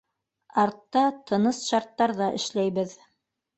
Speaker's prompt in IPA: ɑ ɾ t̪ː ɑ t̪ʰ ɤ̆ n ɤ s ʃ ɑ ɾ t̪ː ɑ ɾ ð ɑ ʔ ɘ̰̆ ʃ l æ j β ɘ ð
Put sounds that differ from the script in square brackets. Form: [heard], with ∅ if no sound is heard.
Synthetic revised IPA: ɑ ɾ t̪ː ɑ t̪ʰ ɤ̆ n ɤ s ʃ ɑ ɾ t̪ː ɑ ɾ ð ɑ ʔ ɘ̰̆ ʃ l æ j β ɘ ð